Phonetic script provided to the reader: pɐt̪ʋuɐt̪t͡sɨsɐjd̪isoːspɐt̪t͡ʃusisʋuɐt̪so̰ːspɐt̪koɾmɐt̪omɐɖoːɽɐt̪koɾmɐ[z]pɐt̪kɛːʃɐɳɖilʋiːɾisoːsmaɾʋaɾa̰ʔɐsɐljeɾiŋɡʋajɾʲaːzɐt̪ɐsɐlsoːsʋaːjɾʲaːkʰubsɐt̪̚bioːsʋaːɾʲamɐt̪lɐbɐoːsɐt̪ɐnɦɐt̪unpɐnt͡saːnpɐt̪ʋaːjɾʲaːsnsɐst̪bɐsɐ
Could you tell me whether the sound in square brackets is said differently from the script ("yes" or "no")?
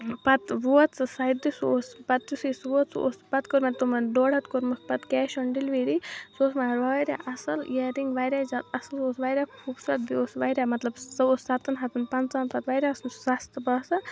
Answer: yes